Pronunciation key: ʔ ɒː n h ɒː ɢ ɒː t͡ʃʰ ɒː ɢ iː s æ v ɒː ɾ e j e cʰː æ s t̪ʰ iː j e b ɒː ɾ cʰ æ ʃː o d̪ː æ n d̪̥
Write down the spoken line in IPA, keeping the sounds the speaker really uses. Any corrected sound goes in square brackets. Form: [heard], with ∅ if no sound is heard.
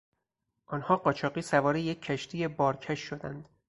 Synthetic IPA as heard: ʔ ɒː n h ɒː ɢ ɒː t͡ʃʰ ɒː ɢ iː s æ v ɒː ɾ e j e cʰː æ [ʃ] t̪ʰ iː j e b ɒː ɾ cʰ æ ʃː o [d̪] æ n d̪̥